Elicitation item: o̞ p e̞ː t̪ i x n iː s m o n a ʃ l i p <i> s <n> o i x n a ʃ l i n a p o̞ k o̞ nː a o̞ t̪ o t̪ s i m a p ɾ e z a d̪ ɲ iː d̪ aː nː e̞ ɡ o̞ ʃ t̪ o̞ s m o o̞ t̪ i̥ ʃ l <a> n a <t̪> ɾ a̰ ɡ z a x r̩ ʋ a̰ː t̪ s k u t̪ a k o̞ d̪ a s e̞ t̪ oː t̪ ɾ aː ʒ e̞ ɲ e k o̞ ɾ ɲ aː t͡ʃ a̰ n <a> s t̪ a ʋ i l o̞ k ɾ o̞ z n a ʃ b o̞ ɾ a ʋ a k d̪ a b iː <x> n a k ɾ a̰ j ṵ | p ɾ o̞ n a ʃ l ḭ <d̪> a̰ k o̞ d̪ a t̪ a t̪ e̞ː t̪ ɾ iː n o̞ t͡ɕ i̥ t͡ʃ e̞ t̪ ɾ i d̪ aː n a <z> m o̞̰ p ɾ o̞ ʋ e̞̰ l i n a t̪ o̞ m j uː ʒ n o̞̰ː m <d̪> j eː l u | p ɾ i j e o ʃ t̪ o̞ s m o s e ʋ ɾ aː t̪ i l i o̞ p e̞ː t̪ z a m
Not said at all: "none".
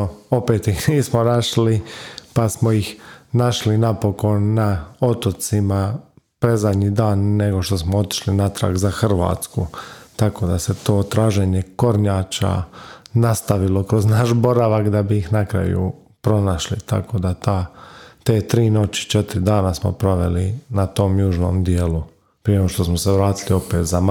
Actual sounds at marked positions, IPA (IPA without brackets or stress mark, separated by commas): a, m, i, t̪, a, x, t̪, s, d̪